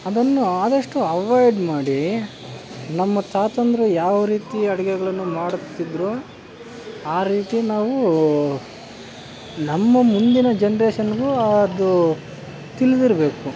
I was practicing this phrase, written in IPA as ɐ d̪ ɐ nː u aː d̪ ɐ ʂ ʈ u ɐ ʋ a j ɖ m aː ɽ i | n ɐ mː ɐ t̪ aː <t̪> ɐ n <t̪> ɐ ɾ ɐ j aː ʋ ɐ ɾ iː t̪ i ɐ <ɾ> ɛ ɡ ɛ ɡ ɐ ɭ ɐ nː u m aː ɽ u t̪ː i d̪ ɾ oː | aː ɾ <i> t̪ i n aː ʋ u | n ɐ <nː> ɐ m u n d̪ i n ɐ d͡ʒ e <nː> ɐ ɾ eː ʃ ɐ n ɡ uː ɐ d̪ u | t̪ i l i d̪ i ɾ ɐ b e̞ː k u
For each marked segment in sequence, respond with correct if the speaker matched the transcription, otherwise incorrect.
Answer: correct, incorrect: d̪, incorrect: ɽ, incorrect: iː, incorrect: mː, incorrect: n

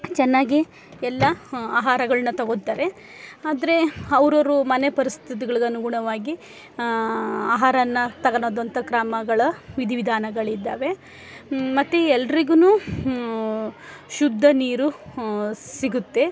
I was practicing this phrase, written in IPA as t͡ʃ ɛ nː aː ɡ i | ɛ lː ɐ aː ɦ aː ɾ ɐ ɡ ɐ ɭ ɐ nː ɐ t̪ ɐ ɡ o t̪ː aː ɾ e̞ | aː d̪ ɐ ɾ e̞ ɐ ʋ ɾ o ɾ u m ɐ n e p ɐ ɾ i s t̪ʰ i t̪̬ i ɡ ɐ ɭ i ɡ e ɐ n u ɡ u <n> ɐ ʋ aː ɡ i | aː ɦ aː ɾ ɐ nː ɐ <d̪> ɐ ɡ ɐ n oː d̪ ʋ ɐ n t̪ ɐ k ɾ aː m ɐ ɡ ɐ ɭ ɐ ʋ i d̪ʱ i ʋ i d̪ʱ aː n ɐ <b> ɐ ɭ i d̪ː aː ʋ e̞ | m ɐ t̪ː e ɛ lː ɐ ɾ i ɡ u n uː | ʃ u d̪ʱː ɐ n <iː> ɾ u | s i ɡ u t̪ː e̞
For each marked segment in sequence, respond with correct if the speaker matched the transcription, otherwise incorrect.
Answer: incorrect: ɳ, incorrect: t̪, incorrect: ɡ, correct

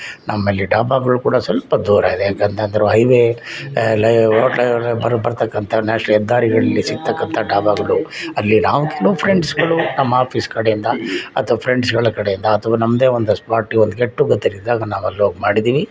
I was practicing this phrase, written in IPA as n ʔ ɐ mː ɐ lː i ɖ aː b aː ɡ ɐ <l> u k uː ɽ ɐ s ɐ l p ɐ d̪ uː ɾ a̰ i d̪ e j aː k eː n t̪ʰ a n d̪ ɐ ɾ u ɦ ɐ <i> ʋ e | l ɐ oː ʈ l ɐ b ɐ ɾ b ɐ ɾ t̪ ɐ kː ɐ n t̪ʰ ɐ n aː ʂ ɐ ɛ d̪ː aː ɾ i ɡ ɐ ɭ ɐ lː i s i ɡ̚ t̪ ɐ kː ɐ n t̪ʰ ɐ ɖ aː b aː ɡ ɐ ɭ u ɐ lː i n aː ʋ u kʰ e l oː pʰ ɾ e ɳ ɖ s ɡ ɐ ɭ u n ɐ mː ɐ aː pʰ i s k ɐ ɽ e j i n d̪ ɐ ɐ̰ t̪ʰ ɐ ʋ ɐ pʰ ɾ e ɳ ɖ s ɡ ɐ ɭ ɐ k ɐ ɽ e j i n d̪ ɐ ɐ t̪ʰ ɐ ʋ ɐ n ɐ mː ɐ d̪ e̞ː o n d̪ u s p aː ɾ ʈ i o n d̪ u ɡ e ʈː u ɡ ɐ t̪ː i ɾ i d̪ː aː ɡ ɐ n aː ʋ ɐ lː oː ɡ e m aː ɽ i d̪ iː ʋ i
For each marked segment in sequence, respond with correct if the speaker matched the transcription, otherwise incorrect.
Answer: incorrect: ɭ, incorrect: j

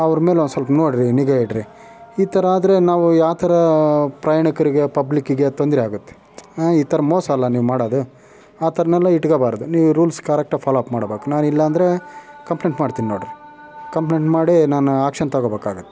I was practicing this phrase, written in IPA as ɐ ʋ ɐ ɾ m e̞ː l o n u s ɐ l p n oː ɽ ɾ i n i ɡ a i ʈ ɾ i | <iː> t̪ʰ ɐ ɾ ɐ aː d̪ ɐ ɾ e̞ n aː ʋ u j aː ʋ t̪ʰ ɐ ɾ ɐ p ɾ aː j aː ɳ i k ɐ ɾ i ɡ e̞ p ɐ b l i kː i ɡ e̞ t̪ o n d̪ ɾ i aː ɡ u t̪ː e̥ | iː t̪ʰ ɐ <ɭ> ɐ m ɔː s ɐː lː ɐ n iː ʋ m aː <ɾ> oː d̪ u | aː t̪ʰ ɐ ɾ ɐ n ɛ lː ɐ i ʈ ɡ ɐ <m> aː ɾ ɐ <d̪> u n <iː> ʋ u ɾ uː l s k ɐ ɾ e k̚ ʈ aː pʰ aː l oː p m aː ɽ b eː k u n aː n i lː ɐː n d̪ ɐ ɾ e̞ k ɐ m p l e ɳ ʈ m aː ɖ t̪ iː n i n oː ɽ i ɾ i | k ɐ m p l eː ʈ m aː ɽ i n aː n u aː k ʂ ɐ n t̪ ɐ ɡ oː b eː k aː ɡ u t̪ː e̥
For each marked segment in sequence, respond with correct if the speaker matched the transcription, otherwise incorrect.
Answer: correct, incorrect: ɾ, incorrect: ɽ, incorrect: b, correct, correct

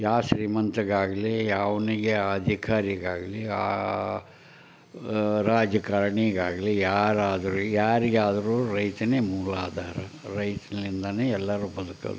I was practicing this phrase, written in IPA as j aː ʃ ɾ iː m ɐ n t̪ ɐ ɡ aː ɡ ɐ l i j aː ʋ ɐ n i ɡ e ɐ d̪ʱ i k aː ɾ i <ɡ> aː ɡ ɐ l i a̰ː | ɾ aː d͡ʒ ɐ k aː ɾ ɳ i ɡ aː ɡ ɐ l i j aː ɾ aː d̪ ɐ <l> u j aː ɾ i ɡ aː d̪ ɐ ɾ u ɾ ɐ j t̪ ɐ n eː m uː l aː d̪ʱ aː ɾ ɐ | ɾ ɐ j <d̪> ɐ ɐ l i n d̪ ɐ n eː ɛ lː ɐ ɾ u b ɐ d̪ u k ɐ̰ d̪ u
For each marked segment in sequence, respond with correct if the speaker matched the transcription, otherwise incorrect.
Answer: correct, incorrect: ɾ, incorrect: t̪

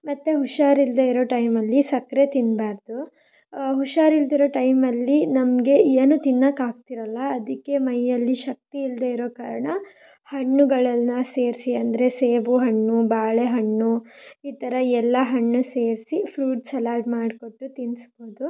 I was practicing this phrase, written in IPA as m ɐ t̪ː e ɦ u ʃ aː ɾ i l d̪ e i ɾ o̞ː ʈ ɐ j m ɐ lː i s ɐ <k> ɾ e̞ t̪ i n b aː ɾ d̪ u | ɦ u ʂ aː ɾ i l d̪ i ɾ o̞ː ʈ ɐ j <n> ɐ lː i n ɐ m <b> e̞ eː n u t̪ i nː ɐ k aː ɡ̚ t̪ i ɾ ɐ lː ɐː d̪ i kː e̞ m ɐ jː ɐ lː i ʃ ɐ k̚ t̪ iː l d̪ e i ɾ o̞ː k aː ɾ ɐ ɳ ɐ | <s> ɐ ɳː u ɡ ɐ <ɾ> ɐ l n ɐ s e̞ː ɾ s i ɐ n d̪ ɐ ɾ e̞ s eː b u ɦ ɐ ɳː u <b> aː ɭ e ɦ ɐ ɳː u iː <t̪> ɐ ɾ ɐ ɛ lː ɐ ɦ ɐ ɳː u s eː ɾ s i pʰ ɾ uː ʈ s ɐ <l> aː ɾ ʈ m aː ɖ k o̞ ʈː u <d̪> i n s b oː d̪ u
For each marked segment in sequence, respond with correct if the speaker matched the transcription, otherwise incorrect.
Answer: correct, incorrect: m, incorrect: ɡ, incorrect: h, incorrect: ɭ, correct, correct, correct, incorrect: t̪

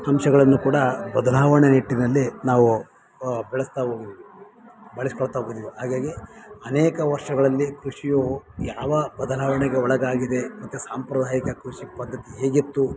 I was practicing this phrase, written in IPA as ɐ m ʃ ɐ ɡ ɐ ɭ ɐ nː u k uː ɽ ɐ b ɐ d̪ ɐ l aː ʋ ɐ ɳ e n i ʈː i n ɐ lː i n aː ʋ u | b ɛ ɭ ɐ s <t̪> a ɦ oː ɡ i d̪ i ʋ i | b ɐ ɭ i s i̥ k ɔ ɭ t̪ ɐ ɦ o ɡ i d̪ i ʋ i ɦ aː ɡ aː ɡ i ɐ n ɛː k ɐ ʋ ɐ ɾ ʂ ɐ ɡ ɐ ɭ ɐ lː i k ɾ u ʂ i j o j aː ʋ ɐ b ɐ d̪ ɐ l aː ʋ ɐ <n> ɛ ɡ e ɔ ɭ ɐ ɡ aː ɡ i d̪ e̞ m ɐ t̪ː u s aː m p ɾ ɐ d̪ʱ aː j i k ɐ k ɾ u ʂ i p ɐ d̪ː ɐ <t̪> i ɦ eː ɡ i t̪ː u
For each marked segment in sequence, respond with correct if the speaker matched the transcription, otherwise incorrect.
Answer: correct, incorrect: ɳ, correct

